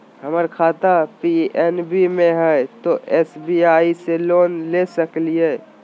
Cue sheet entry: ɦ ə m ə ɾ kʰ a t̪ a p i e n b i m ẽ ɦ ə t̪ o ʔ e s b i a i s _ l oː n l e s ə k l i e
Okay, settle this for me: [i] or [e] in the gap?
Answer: e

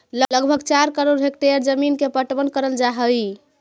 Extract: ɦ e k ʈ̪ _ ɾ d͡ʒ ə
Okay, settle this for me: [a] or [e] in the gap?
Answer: e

